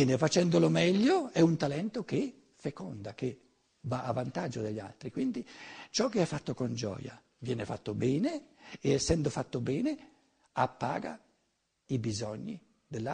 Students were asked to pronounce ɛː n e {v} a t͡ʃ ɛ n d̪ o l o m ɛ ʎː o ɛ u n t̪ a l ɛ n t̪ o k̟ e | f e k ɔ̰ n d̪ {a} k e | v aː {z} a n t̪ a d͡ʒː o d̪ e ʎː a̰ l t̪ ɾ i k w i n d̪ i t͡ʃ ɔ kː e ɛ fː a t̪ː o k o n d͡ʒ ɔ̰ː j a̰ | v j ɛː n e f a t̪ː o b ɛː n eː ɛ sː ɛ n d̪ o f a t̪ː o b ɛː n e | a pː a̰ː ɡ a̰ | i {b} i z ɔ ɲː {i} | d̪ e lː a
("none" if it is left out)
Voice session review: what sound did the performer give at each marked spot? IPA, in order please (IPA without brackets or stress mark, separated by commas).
f, a, v, b, i